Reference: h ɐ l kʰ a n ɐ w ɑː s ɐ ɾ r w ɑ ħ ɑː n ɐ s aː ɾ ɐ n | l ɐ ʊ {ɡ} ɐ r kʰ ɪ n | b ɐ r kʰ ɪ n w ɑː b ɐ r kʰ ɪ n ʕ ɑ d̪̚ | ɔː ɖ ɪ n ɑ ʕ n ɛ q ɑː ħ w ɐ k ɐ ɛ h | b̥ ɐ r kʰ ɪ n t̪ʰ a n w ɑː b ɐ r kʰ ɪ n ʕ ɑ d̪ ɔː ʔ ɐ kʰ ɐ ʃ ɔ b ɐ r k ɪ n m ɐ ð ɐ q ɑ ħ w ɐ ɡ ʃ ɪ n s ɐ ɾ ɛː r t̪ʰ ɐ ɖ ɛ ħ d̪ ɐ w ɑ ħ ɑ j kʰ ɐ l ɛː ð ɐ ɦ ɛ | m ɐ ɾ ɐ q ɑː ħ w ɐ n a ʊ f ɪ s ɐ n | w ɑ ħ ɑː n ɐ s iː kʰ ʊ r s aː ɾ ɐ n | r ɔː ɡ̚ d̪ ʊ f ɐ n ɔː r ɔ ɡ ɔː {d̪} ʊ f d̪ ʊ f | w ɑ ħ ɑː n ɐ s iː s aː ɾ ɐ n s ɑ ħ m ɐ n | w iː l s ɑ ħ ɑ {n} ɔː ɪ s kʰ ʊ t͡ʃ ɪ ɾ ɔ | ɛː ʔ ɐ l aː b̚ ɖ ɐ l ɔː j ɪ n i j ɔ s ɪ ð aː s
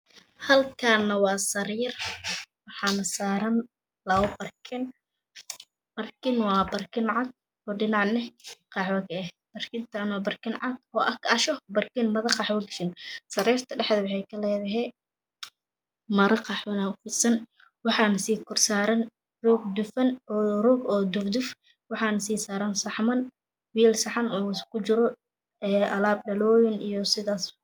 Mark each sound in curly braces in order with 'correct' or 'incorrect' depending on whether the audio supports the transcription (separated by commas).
incorrect, correct, correct